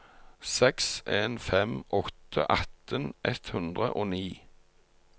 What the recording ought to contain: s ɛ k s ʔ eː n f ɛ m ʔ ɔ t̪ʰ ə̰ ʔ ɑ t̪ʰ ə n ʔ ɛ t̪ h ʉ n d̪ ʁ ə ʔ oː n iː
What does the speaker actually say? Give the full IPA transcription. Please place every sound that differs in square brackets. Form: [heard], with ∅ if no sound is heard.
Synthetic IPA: s ɛ k s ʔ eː n f ɛ m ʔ ɔ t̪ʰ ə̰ ʔ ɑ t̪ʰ ə n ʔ ɛ t̪ h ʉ n d̪ ʁ ə ʔ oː n iː